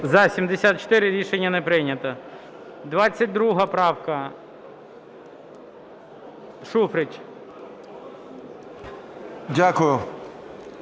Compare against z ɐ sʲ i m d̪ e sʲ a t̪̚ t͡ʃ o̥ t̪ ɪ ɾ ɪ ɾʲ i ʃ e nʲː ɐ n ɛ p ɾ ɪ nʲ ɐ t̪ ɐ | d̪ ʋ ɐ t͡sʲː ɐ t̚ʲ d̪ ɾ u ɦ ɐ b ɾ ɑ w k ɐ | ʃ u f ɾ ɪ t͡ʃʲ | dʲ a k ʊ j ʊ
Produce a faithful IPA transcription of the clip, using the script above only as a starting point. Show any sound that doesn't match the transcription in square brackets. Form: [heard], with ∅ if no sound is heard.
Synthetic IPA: z ɐ sʲ i m d̪ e sʲ a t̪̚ t͡ʃ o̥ t̪ ɪ ɾ ɪ ɾʲ i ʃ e nʲː ɐ n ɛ p ɾ ɪ nʲ ɐ t̪ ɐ | d̪ ʋ [ɑ] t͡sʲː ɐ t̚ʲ d̪ ɾ u ɦ ɐ [p] ɾ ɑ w k ɐ | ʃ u f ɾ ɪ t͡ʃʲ | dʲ a k ʊ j ʊ